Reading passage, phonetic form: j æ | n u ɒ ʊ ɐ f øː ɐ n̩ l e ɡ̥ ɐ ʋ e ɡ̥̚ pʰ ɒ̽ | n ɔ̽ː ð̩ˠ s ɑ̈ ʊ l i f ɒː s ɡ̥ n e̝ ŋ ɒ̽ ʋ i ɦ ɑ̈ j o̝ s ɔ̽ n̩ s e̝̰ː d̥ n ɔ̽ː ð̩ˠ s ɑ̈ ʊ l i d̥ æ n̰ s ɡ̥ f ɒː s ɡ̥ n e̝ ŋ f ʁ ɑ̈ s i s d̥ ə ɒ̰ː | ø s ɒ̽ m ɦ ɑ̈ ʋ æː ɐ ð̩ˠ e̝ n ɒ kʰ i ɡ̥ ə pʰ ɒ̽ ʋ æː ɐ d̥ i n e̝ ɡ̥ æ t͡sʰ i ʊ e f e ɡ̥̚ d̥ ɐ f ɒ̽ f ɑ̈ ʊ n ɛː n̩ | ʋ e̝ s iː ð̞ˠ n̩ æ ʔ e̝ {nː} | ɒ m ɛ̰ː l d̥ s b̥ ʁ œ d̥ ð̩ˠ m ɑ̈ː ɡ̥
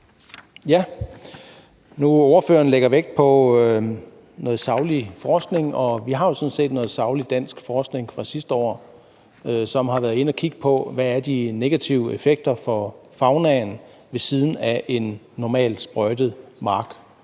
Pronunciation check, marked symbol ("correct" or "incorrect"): correct